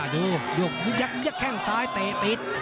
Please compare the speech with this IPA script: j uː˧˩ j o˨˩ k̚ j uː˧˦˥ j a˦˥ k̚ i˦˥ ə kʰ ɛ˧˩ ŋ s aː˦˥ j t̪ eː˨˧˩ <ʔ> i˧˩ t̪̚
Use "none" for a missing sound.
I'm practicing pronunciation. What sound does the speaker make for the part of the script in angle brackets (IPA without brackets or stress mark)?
p